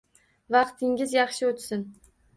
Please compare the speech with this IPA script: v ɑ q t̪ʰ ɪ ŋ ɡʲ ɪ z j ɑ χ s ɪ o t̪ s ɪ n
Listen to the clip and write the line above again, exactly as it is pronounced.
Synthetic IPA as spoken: v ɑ q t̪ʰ ɪ ŋ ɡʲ ɪ z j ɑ χ ʃ ɪ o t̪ s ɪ n